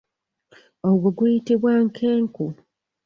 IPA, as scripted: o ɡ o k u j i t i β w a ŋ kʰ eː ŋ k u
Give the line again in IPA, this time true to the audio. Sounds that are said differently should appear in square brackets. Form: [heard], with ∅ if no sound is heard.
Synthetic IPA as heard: o ɡ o [ɡ] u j i t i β w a ŋ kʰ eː ŋ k u

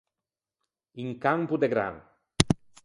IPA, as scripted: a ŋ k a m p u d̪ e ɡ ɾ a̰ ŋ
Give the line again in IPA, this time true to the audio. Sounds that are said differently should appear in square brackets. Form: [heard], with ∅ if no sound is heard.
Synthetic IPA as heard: [i] ŋ k a m p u d̪ e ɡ ɾ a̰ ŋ

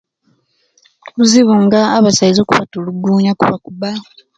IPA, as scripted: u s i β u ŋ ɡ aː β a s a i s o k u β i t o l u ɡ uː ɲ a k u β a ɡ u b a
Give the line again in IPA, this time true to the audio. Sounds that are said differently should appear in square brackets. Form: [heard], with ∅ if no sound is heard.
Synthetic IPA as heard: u [z] i β u ŋ ɡ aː β a s a i [z] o k u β [a] t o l u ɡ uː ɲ a k u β a [k] u b a

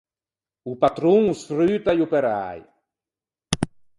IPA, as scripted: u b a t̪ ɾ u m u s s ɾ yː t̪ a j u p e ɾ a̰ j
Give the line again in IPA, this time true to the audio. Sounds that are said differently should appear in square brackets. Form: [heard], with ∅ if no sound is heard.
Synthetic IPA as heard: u [p] a t̪ ɾ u [ŋ] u s [f] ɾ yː t̪ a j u p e ɾ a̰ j

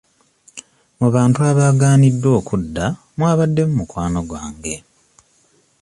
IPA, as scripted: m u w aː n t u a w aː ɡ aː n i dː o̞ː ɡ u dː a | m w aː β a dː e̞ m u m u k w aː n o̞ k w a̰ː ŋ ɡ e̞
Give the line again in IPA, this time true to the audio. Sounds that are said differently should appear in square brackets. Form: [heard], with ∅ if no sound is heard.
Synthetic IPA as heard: m u [β] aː n t u a [β] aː ɡ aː n i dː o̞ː [k] u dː a | m w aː β a dː e̞ m u m u k w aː n o̞ [ɡ] w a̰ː ŋ ɡ e̞

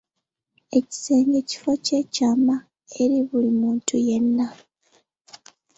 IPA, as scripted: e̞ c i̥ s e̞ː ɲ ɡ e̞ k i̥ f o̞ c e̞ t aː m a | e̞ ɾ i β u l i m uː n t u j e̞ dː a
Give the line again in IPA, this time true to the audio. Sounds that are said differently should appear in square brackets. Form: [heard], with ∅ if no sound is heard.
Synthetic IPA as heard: e̞ c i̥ s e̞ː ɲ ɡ e̞ [c] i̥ f o̞ c e̞ [c] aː m a | e̞ ɾ i β u l i m uː n t u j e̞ [nː] a

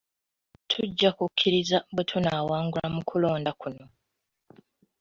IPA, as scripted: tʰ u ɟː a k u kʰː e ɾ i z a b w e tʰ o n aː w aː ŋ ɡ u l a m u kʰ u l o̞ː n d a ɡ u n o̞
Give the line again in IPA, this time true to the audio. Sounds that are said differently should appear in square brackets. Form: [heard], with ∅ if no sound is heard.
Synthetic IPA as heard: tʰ u ɟː a k u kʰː [i] ɾ i z a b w e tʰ [u] n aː w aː ŋ ɡ u l a m u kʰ u l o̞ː n d a [k] u n o̞

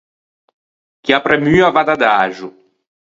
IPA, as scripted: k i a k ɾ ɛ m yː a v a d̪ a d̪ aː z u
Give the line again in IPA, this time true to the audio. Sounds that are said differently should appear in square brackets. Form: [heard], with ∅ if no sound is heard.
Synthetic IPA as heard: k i a [p] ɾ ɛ m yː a v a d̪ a d̪ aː [ʒ] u

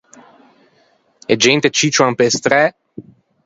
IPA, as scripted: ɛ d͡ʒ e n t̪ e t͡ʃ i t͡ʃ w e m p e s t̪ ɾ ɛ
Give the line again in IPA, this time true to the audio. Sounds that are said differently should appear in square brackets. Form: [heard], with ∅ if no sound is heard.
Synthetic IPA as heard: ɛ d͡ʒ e n t̪ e t͡ʃ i t͡ʃ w [a] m p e s t̪ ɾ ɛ

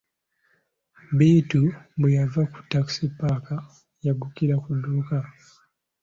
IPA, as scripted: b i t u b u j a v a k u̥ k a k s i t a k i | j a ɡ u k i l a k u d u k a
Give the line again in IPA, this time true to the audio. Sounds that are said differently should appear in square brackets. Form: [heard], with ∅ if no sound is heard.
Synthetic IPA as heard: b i t u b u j a v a k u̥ [t] a k s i [p] a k [a] | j a ɡ u k i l a k u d u k a

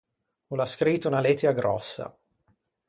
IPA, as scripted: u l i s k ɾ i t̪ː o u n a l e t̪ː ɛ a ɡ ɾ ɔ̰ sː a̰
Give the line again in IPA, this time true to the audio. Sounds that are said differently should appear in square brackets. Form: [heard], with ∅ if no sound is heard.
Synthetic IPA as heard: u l [a] s k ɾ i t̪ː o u n a l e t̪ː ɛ a ɡ ɾ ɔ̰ sː a̰

